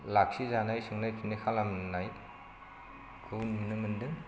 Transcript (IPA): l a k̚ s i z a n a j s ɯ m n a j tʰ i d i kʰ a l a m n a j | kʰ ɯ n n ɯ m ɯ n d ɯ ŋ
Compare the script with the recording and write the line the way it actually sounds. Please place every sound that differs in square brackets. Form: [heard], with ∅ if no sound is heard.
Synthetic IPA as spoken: l a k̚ s i z a n a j s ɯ [ŋ] n a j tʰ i [n] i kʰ a l a m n a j | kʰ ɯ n n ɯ m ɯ n d ɯ ŋ